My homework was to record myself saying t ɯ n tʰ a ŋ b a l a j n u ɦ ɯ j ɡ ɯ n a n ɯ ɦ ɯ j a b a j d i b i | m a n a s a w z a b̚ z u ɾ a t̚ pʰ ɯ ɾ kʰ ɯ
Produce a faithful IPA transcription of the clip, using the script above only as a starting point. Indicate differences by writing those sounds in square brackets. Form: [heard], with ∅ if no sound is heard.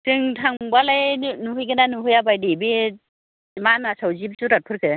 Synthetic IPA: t ɯ [ŋ] tʰ a ŋ b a l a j n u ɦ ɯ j ɡ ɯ n a n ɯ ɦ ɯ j a b a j d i b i | m a n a s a w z [i] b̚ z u ɾ a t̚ pʰ ɯ ɾ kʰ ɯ